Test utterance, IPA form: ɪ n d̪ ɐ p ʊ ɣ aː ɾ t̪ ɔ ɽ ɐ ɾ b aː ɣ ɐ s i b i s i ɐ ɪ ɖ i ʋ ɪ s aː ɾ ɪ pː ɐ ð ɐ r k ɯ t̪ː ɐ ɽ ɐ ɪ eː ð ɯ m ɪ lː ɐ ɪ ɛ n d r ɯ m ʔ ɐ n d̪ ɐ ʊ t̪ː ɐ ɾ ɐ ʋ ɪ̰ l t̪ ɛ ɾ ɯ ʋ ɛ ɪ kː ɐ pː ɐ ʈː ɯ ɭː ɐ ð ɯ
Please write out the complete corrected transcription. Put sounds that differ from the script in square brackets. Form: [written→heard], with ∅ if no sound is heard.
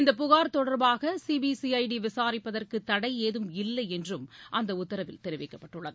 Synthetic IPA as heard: ɪ n d̪ ɐ p ʊ ɣ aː ɾ t̪ ɔ ɽ ɐ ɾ b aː ɣ ɐ s i b i s i ɐ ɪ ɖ i ʋ ɪ s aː ɾ ɪ pː ɐ ð ɐ r k ɯ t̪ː ɐ ɽ ɐ ɪ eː ð ɯ m ɪ lː ɐ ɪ ɛ n d r ɯ m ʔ ɐ n d̪ ɐ ʊ t̪ː ɐ ɾ ɐ ʋ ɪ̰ l t̪ ɛ ɾ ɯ ʋ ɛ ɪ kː ɐ pː ɐ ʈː ɯ ɭː ɐ ð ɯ